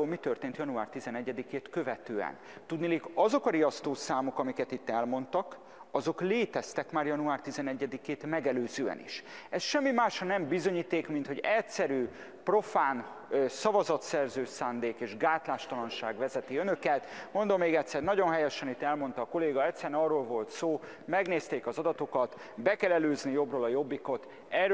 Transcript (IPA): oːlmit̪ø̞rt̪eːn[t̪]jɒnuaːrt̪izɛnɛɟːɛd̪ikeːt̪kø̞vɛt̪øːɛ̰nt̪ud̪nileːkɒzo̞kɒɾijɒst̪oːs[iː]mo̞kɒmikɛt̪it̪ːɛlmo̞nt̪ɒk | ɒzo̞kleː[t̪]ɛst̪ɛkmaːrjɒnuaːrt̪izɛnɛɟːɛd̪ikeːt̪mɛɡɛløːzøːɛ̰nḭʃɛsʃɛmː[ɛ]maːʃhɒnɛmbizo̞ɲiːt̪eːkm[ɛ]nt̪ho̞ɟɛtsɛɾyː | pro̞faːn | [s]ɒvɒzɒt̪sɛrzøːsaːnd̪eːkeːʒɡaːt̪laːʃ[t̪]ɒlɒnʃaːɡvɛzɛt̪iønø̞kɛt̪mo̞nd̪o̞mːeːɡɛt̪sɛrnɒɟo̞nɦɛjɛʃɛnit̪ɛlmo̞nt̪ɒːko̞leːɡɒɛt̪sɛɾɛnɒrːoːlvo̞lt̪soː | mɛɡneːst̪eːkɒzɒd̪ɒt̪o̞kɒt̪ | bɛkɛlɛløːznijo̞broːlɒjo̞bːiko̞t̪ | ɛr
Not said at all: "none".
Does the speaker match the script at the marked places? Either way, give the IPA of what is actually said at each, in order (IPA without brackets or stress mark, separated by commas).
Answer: t̪, aː, t̪, i, i, s, t̪